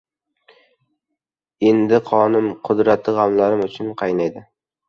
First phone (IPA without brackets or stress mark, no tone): e̞